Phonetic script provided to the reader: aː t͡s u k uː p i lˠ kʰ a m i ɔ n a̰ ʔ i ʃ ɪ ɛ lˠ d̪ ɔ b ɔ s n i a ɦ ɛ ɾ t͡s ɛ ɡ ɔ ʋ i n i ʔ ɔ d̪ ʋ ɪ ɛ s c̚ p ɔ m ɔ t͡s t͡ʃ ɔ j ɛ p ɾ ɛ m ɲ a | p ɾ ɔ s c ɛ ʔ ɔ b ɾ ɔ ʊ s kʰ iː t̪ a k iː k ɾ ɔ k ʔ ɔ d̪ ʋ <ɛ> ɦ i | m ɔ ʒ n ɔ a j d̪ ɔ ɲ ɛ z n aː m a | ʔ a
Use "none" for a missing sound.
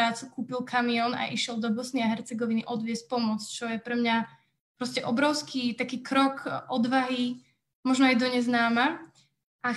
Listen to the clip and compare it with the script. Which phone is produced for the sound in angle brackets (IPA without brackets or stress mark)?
a